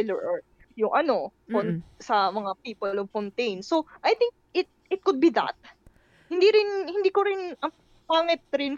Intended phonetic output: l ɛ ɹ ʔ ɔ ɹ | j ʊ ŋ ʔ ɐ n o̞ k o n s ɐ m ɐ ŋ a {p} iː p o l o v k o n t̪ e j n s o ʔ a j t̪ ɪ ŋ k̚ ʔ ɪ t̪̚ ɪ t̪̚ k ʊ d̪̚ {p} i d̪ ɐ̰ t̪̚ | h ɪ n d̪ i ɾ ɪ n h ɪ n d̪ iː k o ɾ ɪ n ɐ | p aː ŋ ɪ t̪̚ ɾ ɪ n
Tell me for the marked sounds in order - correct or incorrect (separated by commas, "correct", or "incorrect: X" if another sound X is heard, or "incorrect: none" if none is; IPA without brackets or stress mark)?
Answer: correct, incorrect: b